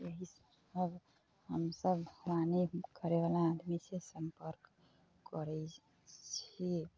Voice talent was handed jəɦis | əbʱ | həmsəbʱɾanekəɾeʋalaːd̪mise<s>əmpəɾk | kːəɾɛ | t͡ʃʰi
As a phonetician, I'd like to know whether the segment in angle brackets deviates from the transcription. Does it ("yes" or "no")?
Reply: no